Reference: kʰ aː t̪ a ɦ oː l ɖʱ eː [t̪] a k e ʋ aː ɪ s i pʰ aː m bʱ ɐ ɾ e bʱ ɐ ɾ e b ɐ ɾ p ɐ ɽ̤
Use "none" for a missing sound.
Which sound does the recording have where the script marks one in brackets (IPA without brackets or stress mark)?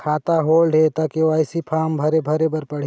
t̪